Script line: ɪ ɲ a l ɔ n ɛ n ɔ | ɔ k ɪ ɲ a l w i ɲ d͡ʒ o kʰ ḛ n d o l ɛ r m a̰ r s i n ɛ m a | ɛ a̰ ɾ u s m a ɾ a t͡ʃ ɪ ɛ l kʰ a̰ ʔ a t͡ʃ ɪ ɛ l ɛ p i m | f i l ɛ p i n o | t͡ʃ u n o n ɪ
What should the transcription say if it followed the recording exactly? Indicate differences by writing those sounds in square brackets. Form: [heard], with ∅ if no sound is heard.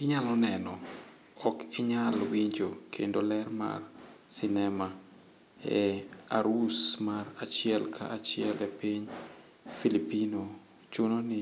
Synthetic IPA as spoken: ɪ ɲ a l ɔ n ɛ n ɔ | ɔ k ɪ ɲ a l w i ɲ d͡ʒ o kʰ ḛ n d o l ɛ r m a̰ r s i n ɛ m a | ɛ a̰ ɾ u s m a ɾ a t͡ʃ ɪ ɛ l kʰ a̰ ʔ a t͡ʃ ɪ ɛ l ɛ p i [ɲ] | f i l [i] p i n o | t͡ʃ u n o n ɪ